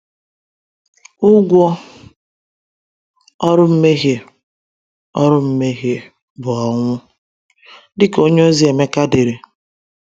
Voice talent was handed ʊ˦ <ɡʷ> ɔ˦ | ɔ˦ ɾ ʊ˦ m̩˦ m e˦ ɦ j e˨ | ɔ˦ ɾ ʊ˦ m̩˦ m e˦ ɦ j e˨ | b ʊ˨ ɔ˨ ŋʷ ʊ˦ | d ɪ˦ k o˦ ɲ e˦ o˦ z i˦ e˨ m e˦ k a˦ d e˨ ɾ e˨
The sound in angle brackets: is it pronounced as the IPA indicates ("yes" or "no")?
yes